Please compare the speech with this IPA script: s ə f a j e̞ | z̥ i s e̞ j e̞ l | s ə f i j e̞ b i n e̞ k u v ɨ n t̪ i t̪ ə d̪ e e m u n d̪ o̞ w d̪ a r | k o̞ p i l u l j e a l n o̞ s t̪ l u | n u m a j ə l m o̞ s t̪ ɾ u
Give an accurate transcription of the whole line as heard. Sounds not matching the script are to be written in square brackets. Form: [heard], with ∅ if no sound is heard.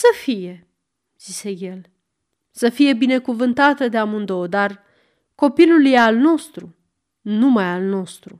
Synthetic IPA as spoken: s ə f [i] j e̞ | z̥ i s e̞ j e̞ l | s ə f i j e̞ b i n e̞ k u v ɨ n t̪ [a] t̪ ə d̪ e [a] m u n d̪ o̞ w d̪ a r | k o̞ p i l u l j e a l n o̞ s t̪ [ɾ] u | n u m a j [a] l [n] o̞ s t̪ ɾ u